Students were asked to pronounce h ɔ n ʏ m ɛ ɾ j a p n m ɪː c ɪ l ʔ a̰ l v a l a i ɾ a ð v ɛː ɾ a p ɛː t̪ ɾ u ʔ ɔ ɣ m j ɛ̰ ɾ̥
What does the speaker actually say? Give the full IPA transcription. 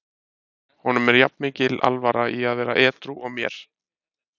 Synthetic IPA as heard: h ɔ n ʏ m ɛ ɾ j a p n m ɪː c ɪ l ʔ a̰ l v a ɾ a i a ð v ɛː ɾ a ʔ ɛː t̪ ɾ u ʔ ɔ ɣ m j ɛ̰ ɾ̥